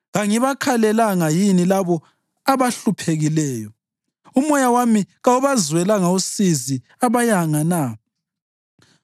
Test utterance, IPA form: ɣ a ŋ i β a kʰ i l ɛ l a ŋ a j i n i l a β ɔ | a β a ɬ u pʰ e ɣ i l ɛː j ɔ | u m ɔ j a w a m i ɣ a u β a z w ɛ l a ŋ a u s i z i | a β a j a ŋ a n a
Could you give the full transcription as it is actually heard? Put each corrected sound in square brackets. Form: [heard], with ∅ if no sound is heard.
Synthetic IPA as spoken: ɣ a ŋ i β a kʰ [a] l ɛ l a ŋ a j i n i l a β ɔ | a β a ɬ u pʰ e ɣ i l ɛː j ɔ | u m ɔ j a w a m i ɣ a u β a z w ɛ l a ŋ a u s i z i | a β a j a ŋ a n a

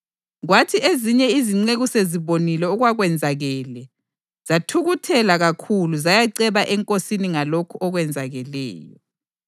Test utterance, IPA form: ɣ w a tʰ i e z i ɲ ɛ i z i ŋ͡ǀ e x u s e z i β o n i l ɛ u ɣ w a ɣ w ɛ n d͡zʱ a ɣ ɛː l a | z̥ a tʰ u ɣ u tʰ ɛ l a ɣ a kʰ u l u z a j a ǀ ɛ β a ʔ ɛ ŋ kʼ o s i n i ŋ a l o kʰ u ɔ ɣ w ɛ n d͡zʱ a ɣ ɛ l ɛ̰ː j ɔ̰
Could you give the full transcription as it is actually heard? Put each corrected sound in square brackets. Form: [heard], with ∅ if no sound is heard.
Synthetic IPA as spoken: ɣ w a tʰ i e z i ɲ ɛ i z i ŋ͡ǀ e [ɣ] u s e z i β o n i l ɛ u ɣ w a ɣ w ɛ n d͡zʱ a ɣ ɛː l [ɛ] | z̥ a tʰ u ɣ u tʰ ɛ l a ɣ a kʰ u l u z a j a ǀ ɛ β a ʔ ɛ ŋ kʼ o s i n i ŋ a l o kʰ u ɔ ɣ w ɛ n d͡zʱ a ɣ ɛ l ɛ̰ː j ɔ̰

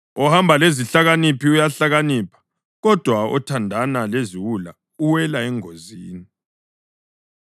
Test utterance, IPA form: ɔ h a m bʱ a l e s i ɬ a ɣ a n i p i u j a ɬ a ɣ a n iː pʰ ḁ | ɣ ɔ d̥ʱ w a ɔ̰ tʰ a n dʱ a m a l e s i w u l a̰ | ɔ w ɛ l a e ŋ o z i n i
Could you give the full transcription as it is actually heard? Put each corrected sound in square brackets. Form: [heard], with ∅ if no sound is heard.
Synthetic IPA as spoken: ɔ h a m bʱ a l e [z] i ɬ a ɣ a n i p i u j a ɬ a ɣ a n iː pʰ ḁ | ɣ ɔ d̥ʱ w a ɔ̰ tʰ a n dʱ a [n] a l e [z] i w u l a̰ | [u] w ɛ l a [ɛ] ŋ o z [iː] n i

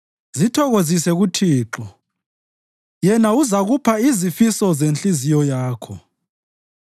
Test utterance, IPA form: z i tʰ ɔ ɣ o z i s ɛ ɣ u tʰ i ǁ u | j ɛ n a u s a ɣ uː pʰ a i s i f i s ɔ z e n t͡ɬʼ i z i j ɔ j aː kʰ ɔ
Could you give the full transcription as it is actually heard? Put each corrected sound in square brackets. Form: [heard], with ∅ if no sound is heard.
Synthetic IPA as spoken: z i tʰ ɔ ɣ o z i s ɛ ɣ u tʰ [iː] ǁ [ɔ] | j ɛ n a u [z] a ɣ [u] pʰ a i [z] i f i s ɔ z e n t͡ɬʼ i z i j ɔ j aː kʰ ɔ

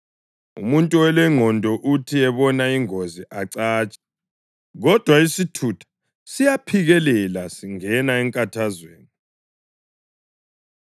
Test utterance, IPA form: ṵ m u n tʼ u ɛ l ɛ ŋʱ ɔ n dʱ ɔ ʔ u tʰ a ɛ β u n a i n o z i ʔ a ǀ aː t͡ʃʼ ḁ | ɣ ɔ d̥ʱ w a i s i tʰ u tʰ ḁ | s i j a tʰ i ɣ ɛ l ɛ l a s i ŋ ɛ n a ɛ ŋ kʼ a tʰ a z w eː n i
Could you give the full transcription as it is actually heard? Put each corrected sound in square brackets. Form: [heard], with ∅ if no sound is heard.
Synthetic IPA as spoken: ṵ m u n tʼ u ɛ l ɛ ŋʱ ɔ n dʱ ɔ ʔ u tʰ [i] ɛ β [ɔ] n a i [ŋ] o z i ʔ a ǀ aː t͡ʃʼ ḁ | ɣ ɔ d̥ʱ w a i s i tʰ u tʰ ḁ | s i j a [pʰ] i ɣ ɛ l ɛ l a s i ŋ ɛ n a ɛ ŋ kʼ a tʰ a z w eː n i

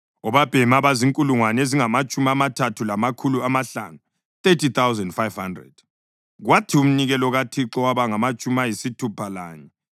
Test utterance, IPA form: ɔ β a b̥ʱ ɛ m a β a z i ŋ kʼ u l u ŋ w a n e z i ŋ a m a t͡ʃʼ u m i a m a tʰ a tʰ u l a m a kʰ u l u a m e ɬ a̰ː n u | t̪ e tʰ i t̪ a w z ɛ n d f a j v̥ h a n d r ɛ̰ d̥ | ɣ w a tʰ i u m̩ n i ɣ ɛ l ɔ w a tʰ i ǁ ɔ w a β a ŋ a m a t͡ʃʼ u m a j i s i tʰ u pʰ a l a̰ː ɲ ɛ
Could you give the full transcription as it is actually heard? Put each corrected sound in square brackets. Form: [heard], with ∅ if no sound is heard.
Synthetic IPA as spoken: ɔ β a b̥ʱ ɛ m a β a z i ŋ kʼ u l u ŋ w a n e z i ŋ a m a t͡ʃʼ u m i a m a tʰ a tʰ u l a m a kʰ u l u a m [a] ɬ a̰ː n u | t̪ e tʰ i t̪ a w z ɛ n d f a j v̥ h a n d r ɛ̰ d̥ | ɣ w a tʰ i u m̩ n i ɣ ɛ l ɔ [ɣ] a tʰ i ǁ ɔ w a β a ŋ a m a t͡ʃʼ u m a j i s i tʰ u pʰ a l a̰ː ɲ ɛ

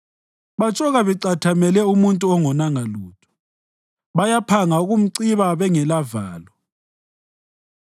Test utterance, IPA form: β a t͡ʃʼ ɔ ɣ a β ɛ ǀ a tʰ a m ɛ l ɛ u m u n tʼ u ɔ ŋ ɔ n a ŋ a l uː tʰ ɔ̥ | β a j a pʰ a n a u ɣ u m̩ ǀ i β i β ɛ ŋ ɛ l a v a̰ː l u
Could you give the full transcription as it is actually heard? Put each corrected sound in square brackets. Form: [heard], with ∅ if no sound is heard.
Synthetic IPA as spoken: β a t͡ʃʼ ɔ ɣ a β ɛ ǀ a tʰ a m ɛ l ɛ u m u n tʼ u ɔ ŋ ɔ n a ŋ a l uː tʰ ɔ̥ | β a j a pʰ a [ŋ] a u ɣ u m̩ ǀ i β [a] β ɛ ŋ ɛ l a v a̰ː l [ɔ]

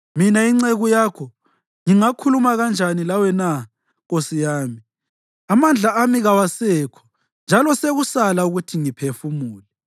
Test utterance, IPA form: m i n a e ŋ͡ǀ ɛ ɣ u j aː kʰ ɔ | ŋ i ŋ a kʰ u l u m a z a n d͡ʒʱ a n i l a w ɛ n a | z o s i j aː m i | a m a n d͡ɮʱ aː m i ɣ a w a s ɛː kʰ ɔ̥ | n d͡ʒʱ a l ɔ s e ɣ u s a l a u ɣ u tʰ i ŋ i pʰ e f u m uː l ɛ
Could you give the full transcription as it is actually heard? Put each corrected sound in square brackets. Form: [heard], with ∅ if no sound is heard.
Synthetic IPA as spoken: m i n a [i] ŋ͡ǀ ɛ ɣ u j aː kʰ ɔ | ŋ i ŋ a kʰ u l u m a [ɣ] a n d͡ʒʱ a n i l a w ɛ n a | [ɣ] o s i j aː m i | a m a n d͡ɮʱ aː m i ɣ a w a s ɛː kʰ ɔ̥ | n d͡ʒʱ a l ɔ s e ɣ u s a l a u ɣ u tʰ i ŋ i pʰ e f u m uː l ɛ

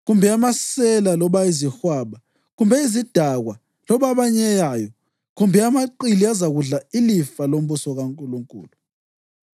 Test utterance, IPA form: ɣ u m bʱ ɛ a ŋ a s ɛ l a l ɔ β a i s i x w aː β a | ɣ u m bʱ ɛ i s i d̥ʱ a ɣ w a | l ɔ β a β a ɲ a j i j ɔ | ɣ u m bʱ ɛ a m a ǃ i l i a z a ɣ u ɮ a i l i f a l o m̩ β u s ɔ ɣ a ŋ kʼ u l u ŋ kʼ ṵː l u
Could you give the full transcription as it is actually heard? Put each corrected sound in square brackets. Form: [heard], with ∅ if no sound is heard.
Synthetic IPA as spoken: ɣ u m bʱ ɛ a [m] a s ɛ l a l ɔ β a i [z] i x w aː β a | ɣ u m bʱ ɛ i [z] i d̥ʱ a ɣ w a | l ɔ β a β a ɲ [ɛ] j [a] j ɔ | ɣ u m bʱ ɛ a m a ǃ i l i a z a ɣ u ɮ a i l i f a l o m̩ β u s ɔ ɣ a ŋ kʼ u l u ŋ kʼ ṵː l u

